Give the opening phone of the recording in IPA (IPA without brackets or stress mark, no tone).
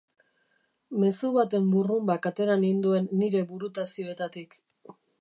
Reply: m